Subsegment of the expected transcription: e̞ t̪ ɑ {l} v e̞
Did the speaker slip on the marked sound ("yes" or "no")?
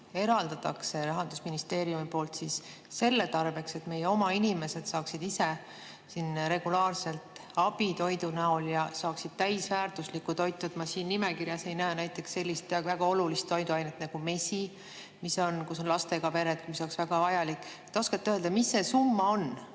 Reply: yes